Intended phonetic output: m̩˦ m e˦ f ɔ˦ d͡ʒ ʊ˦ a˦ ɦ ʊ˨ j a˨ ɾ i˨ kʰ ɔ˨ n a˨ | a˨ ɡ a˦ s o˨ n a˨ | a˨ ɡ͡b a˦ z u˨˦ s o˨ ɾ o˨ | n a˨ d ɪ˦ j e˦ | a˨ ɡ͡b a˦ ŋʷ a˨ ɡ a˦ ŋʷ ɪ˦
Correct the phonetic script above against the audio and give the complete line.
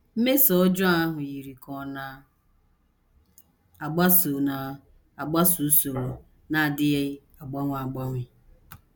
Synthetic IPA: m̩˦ m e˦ s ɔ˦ d͡ʒ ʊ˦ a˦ ɦ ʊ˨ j i˨ ɾ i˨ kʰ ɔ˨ n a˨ | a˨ ɡ͡b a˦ s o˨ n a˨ | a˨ ɡ͡b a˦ s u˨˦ s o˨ ɾ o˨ | n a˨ d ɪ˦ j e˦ | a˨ ɡ͡b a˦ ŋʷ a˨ ɡ͡b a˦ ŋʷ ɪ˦